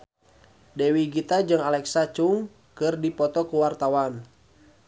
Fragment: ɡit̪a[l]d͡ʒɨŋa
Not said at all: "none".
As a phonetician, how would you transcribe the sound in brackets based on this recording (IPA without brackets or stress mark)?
none